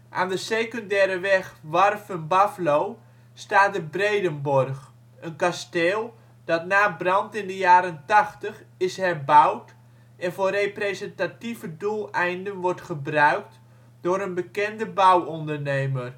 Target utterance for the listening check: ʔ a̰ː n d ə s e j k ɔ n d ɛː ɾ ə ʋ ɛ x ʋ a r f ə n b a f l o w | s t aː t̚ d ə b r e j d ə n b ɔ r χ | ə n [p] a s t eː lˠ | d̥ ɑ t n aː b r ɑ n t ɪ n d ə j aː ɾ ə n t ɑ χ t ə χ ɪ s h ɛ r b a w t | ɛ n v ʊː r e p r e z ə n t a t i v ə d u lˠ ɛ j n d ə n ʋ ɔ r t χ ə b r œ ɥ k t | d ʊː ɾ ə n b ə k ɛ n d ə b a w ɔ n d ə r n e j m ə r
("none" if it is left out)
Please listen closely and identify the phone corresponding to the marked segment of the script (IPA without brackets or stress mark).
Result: k